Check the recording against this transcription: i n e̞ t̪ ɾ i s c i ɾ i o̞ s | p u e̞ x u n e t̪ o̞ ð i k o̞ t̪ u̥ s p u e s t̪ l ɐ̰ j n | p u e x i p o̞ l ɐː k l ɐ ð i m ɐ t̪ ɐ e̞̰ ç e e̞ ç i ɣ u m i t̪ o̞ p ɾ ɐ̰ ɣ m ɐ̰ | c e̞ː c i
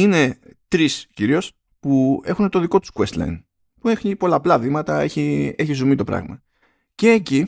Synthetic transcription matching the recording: i n e̞ t̪ ɾ i s c i ɾ i o̞ s | p u e̞ x u n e t̪ o̞ ð i k o̞ t̪ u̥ s k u e s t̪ l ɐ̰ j n | p u e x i p o̞ l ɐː p l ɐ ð i m ɐ t̪ ɐ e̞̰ ç i e̞ ç i z u m i t̪ o̞ p ɾ ɐ̰ ɣ m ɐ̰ | c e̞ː c i